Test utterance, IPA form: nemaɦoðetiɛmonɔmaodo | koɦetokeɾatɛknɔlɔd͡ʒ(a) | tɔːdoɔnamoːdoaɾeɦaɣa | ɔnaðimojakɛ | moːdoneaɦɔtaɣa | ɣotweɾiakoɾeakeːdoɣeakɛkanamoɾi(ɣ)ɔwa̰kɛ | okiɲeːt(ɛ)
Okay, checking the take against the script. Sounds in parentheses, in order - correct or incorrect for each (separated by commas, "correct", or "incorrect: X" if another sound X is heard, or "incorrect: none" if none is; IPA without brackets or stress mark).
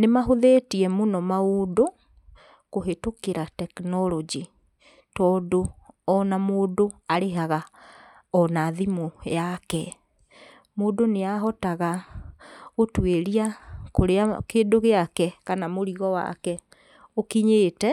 incorrect: i, correct, correct